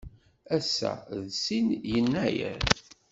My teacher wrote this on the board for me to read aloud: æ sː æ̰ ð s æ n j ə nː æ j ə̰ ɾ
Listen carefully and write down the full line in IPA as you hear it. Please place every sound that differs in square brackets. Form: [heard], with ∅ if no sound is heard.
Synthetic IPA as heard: æ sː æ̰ ð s [i] n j ə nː æ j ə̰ ɾ